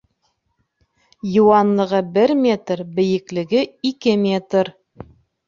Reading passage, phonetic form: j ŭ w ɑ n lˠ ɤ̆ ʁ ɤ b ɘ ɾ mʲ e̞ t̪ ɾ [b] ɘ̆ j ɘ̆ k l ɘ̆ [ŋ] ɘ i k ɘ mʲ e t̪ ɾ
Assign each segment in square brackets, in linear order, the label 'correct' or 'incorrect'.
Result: correct, incorrect

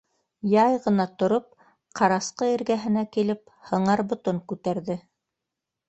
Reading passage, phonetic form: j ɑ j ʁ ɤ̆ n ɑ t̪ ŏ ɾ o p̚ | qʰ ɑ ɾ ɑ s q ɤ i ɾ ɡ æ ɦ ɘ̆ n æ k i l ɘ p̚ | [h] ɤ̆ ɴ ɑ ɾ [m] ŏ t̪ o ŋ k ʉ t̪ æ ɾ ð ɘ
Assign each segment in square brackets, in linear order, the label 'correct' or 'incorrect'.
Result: correct, incorrect

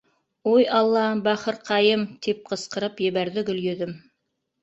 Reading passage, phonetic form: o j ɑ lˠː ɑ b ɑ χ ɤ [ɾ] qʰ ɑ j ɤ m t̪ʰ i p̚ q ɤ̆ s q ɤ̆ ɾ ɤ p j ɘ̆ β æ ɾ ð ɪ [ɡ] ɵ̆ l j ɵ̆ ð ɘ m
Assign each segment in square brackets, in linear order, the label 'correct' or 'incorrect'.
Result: correct, correct

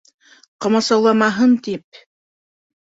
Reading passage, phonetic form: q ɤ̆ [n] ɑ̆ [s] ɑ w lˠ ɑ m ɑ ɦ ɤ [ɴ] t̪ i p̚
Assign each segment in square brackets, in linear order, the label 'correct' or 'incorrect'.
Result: incorrect, correct, incorrect

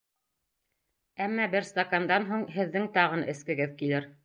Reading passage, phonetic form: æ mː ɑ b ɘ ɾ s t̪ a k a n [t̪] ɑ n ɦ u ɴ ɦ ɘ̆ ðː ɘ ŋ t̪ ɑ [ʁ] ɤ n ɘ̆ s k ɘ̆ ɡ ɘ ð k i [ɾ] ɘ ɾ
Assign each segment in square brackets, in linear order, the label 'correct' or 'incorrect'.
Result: incorrect, correct, incorrect

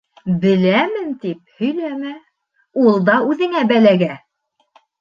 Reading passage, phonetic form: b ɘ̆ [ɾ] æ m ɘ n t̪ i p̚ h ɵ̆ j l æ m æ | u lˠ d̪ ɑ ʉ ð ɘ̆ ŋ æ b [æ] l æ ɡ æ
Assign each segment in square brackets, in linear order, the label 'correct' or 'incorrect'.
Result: incorrect, correct

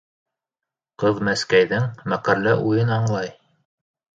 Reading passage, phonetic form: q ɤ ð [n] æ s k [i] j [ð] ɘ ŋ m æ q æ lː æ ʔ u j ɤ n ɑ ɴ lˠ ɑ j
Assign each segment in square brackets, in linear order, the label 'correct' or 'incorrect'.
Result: incorrect, incorrect, correct

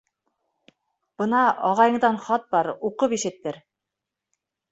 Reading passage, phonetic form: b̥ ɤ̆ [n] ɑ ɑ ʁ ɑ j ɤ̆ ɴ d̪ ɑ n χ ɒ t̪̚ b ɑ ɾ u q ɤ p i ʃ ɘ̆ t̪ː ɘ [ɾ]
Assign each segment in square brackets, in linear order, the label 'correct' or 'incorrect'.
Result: correct, correct

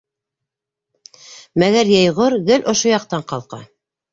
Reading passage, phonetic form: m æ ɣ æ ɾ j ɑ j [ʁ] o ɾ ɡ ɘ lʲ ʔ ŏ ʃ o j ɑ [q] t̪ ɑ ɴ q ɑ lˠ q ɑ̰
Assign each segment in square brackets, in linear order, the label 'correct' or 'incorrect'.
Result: correct, correct

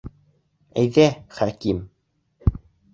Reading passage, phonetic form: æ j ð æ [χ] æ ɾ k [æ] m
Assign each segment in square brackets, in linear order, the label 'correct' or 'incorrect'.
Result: correct, incorrect

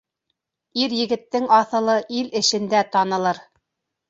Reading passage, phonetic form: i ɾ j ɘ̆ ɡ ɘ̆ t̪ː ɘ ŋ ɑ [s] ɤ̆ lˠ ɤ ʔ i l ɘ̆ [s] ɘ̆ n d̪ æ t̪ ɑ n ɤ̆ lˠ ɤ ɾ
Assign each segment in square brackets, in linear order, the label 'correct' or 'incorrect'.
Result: incorrect, incorrect

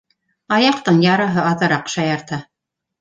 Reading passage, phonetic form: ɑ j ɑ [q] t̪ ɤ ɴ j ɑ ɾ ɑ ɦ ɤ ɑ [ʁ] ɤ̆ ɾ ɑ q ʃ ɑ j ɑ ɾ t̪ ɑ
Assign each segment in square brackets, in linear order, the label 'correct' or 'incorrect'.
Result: correct, incorrect

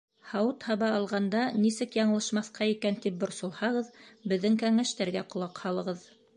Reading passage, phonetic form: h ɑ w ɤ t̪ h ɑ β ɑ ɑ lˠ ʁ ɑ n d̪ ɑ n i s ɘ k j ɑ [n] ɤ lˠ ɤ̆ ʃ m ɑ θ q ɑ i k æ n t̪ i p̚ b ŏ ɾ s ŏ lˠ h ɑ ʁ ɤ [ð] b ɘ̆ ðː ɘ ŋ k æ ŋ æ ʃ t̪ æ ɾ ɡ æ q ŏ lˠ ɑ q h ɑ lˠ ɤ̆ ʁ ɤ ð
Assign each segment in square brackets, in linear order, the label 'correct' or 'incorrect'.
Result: incorrect, correct

